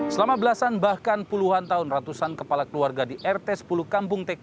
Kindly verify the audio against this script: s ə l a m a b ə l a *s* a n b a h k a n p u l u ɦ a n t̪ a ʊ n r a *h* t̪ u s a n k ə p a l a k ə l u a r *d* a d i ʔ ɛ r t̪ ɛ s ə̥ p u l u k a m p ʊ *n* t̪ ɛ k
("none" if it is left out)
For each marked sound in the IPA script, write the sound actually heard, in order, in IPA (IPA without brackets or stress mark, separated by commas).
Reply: s, none, ɡ, ŋ